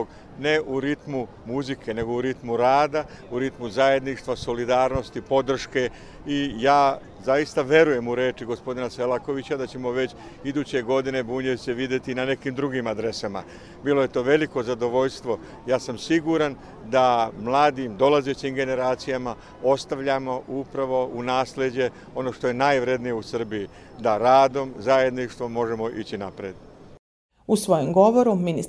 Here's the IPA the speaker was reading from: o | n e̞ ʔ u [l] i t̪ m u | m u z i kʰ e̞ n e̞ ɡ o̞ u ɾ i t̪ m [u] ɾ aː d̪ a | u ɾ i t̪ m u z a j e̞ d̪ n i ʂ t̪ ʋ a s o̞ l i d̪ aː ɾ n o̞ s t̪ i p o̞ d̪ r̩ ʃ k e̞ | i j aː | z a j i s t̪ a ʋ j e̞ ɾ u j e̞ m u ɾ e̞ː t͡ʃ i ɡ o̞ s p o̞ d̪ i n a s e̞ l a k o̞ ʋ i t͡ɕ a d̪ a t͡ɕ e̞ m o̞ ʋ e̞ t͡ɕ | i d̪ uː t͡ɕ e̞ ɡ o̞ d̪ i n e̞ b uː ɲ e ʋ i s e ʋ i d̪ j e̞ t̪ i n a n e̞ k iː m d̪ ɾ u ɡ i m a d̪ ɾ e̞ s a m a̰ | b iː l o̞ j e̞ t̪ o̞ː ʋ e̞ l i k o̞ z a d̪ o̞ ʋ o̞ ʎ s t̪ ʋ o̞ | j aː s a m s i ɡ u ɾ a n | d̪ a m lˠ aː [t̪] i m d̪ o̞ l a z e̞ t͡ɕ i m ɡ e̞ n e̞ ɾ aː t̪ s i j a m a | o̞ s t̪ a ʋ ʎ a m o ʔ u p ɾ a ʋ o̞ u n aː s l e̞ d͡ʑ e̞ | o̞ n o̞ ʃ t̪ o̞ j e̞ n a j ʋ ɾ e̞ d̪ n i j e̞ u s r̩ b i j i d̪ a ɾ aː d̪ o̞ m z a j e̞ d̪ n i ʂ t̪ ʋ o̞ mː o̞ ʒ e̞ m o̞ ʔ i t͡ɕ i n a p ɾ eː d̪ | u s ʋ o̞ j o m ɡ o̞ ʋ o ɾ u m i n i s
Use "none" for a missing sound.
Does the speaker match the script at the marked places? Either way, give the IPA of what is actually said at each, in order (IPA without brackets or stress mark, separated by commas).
ɾ, u, d̪